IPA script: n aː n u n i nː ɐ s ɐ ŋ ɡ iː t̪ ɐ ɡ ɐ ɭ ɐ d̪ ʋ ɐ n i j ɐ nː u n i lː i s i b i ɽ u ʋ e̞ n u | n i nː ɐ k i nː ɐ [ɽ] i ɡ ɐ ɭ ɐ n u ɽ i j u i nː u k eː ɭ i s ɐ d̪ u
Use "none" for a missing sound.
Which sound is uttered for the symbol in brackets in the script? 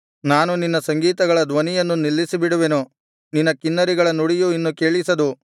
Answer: ɾ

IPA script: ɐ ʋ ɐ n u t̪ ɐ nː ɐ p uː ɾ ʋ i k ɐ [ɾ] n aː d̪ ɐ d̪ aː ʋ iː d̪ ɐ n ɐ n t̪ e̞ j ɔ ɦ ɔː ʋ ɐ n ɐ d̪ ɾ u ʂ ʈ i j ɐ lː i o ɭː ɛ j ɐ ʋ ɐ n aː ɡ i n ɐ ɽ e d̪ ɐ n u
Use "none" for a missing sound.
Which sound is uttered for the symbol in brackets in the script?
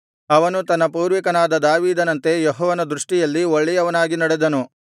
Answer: none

